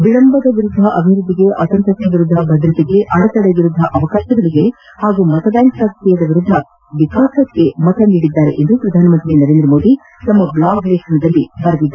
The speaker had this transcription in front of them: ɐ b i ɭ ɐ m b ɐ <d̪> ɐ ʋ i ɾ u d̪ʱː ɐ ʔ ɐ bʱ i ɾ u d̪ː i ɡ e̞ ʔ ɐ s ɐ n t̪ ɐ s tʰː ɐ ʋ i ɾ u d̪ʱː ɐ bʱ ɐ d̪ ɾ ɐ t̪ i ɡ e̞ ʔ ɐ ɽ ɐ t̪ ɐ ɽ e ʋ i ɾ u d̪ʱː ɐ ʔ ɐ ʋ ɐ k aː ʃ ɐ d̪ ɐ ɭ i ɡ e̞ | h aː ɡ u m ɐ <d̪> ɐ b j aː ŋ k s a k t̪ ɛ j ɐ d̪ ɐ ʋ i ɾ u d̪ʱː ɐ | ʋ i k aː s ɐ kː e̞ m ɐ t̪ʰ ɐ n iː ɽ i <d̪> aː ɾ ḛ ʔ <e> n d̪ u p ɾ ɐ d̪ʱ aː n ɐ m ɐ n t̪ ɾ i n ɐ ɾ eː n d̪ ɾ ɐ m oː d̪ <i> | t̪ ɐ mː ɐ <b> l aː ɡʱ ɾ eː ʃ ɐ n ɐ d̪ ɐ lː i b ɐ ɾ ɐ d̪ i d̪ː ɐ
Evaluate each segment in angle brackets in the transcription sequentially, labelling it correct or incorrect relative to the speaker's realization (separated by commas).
correct, incorrect, incorrect, correct, correct, correct